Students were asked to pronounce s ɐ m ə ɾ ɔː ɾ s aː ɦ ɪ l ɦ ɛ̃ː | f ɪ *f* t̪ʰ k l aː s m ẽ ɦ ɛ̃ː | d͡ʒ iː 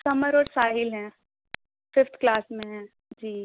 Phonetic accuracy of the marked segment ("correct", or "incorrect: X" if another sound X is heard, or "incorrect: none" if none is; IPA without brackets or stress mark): correct